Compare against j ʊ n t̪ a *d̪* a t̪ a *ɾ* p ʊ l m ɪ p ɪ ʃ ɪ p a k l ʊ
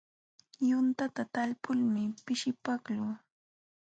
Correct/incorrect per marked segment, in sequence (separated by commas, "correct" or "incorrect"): incorrect, incorrect